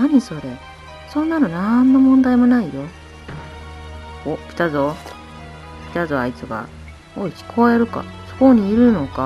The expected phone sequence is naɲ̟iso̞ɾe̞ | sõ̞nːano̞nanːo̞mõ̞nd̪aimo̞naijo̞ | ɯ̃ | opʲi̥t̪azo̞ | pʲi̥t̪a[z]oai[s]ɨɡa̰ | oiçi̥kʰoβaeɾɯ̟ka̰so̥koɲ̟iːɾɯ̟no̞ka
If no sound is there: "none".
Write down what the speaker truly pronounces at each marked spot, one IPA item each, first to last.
z, t͡s

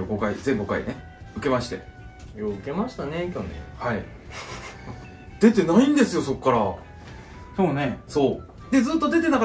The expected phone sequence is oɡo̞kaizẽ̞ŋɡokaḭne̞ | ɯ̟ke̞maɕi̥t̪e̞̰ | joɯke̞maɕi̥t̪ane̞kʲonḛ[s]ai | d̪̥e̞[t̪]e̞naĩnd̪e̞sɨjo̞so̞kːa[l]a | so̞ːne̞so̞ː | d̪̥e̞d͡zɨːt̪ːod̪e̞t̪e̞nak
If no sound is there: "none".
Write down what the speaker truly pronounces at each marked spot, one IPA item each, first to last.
h, t̪, ɾ

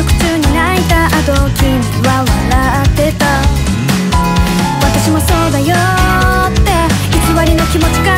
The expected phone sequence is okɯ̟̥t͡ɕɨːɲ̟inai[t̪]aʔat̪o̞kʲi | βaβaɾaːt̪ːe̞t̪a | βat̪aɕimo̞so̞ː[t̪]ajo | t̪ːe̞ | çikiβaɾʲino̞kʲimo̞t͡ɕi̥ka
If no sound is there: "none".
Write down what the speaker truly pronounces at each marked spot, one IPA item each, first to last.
t̪, d̪

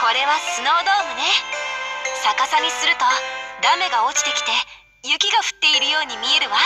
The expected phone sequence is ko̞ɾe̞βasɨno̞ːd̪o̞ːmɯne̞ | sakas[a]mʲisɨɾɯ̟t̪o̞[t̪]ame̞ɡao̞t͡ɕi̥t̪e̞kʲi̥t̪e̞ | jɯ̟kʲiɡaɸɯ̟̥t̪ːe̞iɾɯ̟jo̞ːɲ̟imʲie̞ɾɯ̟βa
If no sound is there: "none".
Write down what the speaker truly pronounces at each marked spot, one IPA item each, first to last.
a, d̪

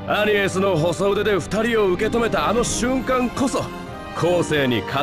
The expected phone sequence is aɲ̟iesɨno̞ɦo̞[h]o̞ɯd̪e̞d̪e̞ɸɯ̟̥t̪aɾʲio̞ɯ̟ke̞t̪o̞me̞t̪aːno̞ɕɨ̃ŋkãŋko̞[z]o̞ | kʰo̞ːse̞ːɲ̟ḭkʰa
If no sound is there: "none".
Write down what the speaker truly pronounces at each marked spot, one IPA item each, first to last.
s, s

